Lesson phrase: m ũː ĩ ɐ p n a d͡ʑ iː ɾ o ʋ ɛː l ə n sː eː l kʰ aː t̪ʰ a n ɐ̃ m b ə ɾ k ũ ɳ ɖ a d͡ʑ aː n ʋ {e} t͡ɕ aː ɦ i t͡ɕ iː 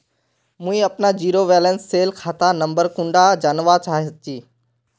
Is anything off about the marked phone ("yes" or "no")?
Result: yes